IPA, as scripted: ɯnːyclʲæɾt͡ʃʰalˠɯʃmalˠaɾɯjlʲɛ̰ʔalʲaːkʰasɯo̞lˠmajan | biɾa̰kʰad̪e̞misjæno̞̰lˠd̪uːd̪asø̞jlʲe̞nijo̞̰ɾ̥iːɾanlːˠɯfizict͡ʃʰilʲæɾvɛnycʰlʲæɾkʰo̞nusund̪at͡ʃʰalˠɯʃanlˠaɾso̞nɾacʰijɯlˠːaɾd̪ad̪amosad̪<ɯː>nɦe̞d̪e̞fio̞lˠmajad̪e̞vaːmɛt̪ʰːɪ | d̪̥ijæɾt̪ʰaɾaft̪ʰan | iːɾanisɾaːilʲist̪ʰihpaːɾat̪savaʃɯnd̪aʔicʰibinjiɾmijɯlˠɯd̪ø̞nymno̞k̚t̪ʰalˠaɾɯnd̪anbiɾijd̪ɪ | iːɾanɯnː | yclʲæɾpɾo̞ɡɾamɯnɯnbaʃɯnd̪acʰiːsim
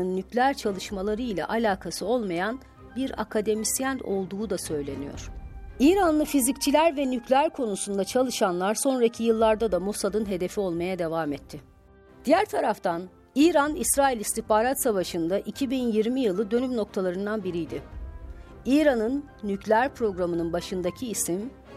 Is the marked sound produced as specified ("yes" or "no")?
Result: no